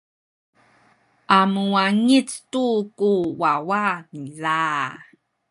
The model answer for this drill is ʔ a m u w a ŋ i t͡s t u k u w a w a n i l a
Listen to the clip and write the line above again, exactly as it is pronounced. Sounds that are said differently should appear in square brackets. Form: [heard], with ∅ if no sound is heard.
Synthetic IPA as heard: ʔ a m u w a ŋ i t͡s t u k u w a w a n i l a